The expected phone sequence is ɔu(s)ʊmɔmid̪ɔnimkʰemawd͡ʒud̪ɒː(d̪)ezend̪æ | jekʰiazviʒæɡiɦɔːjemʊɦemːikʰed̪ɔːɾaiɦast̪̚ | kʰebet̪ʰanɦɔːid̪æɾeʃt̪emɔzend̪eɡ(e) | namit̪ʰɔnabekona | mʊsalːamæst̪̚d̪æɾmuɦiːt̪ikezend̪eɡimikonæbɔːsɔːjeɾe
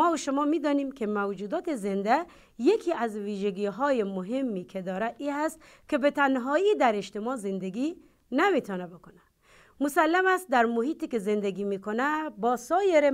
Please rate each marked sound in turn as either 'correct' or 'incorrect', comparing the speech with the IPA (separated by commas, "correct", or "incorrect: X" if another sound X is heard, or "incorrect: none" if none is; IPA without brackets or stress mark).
incorrect: ʃ, incorrect: t̪, incorrect: i